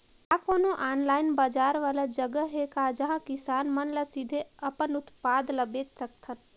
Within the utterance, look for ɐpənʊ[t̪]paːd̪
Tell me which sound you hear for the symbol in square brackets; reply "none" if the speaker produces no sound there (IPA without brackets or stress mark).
t̪